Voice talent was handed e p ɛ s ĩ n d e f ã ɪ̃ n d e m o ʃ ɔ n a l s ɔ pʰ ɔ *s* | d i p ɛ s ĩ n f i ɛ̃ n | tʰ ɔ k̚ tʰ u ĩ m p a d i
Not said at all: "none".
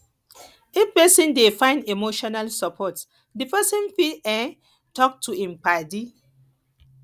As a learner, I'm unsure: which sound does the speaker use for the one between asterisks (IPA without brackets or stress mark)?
t